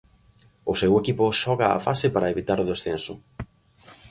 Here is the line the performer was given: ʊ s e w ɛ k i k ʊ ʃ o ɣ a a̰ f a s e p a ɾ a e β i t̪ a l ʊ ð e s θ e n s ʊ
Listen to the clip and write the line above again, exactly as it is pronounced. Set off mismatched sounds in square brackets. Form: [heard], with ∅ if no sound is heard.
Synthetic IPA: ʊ s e w [e] k i [p] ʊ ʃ [ɔ] ɣ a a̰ f a s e p a ɾ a e β i t̪ a [ɾ] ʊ ð e s θ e n s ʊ

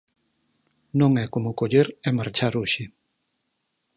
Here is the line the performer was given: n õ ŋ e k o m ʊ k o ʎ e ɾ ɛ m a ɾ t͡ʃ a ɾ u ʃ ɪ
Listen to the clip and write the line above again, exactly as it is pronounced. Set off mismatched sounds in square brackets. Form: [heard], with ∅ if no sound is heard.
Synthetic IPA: n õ ŋ [ɛ] k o m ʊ k o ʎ e ɾ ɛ m a ɾ t͡ʃ a ɾ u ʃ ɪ

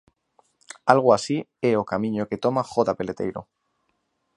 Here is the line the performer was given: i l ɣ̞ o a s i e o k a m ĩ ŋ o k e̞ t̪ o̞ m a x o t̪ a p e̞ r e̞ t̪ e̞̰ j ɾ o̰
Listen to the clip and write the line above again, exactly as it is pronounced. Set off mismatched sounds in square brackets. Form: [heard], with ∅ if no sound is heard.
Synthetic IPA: [a] l ɣ̞ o a s i e o k a m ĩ [ɲ] o k e̞ t̪ o̞ m a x o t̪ a p e̞ [l] e̞ t̪ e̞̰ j ɾ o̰

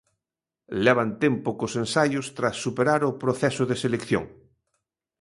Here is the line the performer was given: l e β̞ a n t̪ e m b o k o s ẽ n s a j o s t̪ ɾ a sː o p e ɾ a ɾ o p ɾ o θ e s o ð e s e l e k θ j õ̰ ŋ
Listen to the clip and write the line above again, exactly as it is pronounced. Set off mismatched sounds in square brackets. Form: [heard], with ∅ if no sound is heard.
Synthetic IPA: l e β̞ a n t̪ e m [p] o k o s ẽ n s a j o s t̪ ɾ a sː [u] p e ɾ a ɾ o p ɾ o θ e s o ð e s e l e k θ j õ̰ ŋ

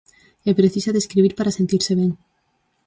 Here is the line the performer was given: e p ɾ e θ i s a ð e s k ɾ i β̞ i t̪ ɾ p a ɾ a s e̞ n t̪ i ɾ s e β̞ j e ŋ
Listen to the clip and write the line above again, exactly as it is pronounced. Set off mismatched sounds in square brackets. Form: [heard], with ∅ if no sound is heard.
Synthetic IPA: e p ɾ e θ i s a ð e s k ɾ i β̞ i [∅] ɾ p a ɾ a s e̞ n t̪ i ɾ s e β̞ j e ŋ

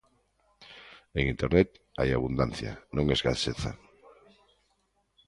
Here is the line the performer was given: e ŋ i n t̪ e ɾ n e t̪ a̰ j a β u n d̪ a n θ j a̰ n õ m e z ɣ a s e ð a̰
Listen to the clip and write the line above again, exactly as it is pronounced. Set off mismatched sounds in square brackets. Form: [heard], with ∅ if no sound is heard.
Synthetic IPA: e ŋ i n t̪ e ɾ n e t̪ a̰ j a β u n d̪ a n θ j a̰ n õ [ŋ] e z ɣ a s e [θ] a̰

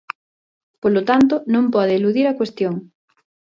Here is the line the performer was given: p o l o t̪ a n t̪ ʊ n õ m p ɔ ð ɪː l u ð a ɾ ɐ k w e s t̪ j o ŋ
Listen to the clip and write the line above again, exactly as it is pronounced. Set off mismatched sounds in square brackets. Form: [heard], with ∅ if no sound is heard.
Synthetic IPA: p o l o t̪ a n t̪ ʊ n õ m p ɔ ð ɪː l u ð [i] ɾ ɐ k w e s t̪ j o ŋ

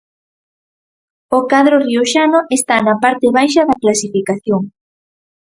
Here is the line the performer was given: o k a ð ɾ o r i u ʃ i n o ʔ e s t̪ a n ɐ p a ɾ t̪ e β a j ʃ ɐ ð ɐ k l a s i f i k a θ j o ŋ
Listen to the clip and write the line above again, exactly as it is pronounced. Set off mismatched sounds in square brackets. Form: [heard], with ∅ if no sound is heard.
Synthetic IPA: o k a ð ɾ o r i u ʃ [a] n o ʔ e s t̪ a n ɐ p a ɾ t̪ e β a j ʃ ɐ ð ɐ k l a s i f i k a θ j o ŋ

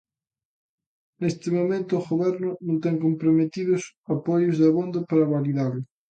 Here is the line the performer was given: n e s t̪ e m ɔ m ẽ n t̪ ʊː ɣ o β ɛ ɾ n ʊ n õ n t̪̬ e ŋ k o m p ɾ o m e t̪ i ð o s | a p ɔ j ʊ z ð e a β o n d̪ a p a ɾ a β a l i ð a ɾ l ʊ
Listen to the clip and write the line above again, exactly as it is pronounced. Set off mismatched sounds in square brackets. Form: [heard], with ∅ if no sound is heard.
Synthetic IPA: n e s t̪ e m [o] m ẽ n t̪ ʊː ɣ o β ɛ ɾ n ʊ n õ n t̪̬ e ŋ k o m p ɾ o m e t̪ i ð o s | a p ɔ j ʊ z ð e a β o n d̪ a p a ɾ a β a l i ð a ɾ l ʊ

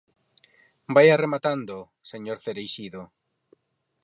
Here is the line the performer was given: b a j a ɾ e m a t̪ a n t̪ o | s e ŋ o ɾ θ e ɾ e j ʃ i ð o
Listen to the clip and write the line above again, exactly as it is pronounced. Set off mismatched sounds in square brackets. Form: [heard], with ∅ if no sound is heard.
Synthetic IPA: b a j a [r] e m a t̪ a n [d̪] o | s e [ɲ] o ɾ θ e ɾ e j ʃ i ð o

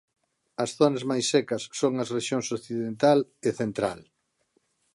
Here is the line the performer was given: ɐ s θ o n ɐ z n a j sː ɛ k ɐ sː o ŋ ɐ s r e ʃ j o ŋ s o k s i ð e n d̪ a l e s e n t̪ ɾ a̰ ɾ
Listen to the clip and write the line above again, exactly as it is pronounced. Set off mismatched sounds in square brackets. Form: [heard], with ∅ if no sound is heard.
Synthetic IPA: ɐ s θ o n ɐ z [m] a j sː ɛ k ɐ sː o ŋ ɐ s r e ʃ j o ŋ s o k [θ] i ð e n [t̪] a l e [θ] e n t̪ ɾ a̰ [l]

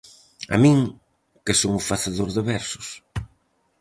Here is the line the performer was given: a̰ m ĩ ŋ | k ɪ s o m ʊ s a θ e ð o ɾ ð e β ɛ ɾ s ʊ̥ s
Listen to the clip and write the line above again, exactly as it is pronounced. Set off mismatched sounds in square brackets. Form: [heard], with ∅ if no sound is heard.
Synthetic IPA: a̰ m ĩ ŋ | k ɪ s o [ŋ] ʊ [f] a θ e ð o ɾ ð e β ɛ ɾ s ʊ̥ s

